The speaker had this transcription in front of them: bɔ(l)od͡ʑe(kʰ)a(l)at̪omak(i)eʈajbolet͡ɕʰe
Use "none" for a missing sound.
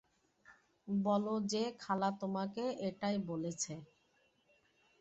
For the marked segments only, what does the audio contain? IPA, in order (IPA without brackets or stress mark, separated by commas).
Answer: l, kʰ, l, e